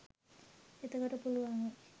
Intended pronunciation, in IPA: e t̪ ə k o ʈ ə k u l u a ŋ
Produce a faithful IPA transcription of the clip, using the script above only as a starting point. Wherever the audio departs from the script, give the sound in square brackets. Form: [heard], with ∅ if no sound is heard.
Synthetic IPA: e t̪ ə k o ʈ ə [p] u l u a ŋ